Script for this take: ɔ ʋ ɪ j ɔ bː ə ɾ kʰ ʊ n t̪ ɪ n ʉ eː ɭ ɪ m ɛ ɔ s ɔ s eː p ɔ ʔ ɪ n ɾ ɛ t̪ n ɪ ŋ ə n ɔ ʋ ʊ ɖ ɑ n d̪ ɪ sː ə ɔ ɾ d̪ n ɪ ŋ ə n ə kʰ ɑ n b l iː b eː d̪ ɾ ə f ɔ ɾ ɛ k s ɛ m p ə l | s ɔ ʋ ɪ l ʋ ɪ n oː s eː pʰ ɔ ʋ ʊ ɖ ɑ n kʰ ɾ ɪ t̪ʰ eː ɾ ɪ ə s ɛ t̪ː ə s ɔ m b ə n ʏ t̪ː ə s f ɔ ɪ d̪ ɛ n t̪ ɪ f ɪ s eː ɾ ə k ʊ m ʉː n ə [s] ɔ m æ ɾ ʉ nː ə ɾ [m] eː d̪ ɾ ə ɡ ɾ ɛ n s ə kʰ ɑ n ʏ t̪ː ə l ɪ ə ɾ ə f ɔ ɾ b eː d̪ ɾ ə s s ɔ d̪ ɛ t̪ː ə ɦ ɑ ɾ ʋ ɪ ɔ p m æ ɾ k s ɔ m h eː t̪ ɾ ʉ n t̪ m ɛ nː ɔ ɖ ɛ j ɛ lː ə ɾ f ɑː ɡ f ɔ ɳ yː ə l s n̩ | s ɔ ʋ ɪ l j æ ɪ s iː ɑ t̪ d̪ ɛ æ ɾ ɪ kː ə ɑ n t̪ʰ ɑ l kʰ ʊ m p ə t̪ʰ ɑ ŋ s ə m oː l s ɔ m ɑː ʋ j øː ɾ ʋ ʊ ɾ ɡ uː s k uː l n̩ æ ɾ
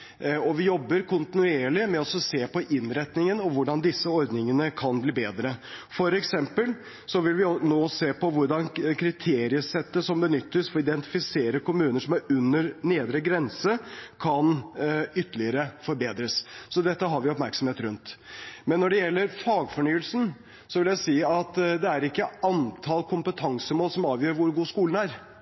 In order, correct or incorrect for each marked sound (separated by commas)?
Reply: incorrect, incorrect